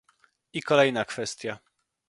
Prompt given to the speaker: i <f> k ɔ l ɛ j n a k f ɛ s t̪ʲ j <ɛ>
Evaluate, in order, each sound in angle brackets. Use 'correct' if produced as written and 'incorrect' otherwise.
incorrect, incorrect

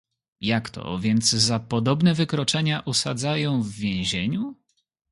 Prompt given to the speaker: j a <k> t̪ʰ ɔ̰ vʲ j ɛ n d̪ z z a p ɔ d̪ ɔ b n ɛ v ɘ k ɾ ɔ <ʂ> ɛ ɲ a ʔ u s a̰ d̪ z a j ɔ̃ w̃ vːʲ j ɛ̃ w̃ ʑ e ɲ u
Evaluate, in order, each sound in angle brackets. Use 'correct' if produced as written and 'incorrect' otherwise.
correct, incorrect

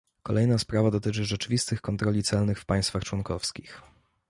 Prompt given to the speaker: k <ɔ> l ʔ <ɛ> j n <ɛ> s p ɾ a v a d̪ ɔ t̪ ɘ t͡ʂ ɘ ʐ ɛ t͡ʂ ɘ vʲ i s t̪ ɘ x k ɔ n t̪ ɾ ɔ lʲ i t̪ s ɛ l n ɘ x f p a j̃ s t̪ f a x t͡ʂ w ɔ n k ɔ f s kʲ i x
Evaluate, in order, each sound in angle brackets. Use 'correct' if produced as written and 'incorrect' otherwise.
correct, correct, incorrect

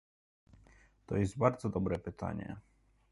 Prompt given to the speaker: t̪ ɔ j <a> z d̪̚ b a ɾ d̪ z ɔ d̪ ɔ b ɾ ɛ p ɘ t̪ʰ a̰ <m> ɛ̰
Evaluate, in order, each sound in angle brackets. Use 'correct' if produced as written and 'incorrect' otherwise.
incorrect, incorrect

